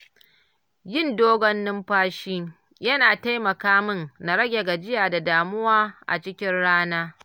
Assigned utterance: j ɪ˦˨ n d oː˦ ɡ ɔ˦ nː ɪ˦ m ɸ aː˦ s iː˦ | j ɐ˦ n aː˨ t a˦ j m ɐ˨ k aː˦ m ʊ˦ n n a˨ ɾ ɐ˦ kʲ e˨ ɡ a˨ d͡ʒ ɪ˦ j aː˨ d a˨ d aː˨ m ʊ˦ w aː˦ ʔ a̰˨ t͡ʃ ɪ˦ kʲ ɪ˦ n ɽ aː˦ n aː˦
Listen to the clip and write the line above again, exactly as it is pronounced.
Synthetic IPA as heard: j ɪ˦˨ n d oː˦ ɡ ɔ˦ nː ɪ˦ m ɸ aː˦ ʃ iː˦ | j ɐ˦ n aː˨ t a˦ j m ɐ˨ k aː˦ m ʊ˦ n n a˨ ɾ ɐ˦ ɡʲ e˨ ɡ a˨ d͡ʒ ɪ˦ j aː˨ d a˨ d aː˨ m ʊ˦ w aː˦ ʔ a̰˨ t͡ʃ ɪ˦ kʲ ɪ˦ n ɽ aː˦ n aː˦